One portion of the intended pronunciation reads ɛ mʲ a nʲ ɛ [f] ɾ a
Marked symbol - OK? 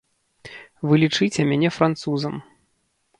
yes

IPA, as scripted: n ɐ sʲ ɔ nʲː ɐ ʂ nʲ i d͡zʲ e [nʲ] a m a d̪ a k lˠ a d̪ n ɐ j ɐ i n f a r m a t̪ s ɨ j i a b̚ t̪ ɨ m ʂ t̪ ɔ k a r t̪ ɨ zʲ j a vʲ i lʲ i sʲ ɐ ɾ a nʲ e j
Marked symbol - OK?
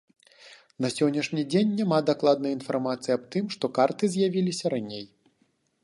no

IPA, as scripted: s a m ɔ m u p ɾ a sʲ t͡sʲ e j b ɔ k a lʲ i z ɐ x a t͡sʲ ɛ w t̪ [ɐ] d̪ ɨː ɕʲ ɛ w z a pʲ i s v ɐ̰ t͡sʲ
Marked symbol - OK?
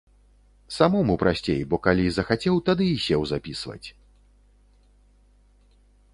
no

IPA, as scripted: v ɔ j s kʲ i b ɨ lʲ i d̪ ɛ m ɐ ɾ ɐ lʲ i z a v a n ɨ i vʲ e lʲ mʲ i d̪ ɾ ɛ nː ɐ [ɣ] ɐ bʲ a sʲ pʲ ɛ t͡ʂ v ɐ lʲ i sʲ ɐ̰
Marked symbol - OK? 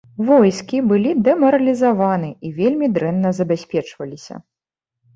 no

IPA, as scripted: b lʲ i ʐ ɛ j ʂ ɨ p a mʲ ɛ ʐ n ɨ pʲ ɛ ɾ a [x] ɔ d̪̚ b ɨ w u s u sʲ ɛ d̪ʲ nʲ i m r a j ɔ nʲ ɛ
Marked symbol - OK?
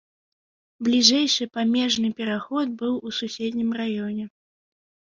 yes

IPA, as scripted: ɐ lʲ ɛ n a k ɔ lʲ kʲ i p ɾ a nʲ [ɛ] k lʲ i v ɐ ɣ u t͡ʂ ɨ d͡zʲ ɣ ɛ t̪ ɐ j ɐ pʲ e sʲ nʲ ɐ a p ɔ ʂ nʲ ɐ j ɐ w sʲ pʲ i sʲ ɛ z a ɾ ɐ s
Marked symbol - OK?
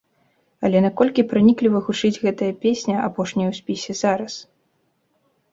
no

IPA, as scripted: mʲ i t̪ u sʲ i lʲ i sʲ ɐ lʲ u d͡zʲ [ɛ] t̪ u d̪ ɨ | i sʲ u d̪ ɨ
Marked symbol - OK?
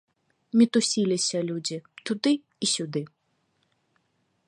no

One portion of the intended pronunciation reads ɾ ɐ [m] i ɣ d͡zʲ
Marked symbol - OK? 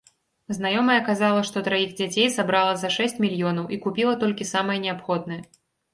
no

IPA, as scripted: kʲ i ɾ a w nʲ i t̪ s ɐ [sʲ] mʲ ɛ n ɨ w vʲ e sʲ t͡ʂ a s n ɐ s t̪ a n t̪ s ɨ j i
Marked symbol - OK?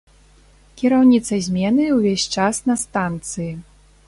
no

